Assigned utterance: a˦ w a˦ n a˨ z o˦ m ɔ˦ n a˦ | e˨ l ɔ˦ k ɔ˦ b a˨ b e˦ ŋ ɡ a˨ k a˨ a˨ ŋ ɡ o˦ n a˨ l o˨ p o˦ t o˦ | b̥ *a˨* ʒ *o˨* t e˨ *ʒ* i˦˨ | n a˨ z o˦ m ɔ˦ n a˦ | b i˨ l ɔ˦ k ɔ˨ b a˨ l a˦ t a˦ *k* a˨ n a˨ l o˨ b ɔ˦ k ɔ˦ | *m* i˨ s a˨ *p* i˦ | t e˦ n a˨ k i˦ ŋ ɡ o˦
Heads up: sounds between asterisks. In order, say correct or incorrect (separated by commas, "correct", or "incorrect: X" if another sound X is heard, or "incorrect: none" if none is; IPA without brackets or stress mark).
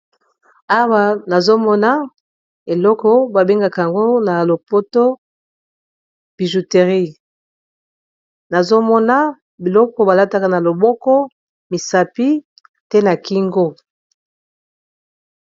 incorrect: i˨, incorrect: u˨, incorrect: ʁ, correct, correct, correct